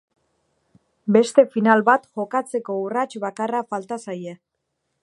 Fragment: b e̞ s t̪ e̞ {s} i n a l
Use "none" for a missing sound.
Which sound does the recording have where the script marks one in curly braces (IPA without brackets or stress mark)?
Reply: f